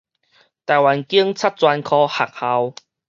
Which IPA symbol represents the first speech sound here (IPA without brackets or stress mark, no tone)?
t̪